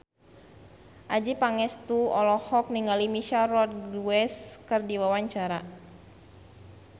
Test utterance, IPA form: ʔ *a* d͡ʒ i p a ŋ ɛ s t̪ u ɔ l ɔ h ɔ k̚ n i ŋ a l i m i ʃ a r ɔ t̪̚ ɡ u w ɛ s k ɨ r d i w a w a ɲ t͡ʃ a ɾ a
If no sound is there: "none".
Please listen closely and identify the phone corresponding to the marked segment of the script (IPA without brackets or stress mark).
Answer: a